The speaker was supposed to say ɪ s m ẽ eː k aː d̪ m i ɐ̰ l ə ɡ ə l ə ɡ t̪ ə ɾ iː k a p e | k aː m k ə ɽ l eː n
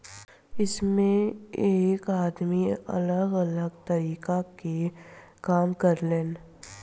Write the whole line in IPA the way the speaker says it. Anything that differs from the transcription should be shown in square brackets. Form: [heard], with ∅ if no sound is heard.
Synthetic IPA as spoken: ɪ s m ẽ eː k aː d̪ m i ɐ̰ l ə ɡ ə l ə ɡ t̪ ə ɾ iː k a [k] e | k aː m k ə [ɾ] l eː n